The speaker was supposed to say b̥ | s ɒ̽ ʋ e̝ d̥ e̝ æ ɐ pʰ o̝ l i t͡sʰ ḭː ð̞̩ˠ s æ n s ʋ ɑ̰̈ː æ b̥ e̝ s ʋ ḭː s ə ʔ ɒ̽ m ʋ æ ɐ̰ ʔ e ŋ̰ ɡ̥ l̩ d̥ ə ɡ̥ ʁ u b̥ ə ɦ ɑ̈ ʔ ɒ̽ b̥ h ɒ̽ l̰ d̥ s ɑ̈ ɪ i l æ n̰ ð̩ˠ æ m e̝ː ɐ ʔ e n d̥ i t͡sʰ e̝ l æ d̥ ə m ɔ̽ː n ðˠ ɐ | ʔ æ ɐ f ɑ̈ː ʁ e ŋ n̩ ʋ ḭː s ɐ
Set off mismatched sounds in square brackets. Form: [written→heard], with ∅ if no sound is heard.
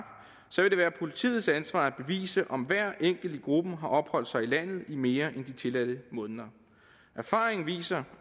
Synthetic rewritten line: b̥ | s ɒ̽ ʋ e̝ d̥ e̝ [æ→æː] ɐ pʰ o̝ l i t͡sʰ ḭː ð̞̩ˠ s æ n s ʋ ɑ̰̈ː æ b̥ e̝ [s→∅] ʋ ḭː s ə ʔ ɒ̽ m ʋ æ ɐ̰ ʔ e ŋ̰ ɡ̥ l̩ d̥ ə ɡ̥ ʁ u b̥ ə ɦ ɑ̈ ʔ ɒ̽ b̥ h ɒ̽ l̰ d̥ s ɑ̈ ɪ i l æ n̰ ð̩ˠ [æ→i] m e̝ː ɐ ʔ e n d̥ i t͡sʰ e̝ l æ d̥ ə m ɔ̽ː n ðˠ ɐ | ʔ æ ɐ f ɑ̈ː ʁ e ŋ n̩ ʋ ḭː s ɐ